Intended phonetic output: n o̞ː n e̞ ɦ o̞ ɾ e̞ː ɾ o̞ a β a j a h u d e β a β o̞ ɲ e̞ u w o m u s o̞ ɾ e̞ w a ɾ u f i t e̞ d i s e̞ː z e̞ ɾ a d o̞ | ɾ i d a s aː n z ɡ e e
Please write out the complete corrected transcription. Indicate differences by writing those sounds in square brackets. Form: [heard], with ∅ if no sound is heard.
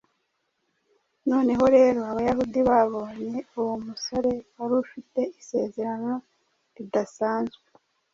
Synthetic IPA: n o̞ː n e̞ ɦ o̞ ɾ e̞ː ɾ o̞ a β a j a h u d [i] β a β o̞ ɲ e̞ u w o m u s o̞ ɾ e̞ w a ɾ u f i t e̞ [∅] i s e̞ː z e̞ ɾ a [n] o̞ | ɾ i d a s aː n z ɡ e e